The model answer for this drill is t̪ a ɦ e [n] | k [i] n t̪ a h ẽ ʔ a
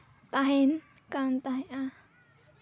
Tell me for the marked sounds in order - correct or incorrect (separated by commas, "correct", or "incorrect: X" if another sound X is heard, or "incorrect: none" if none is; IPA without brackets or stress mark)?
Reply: correct, incorrect: a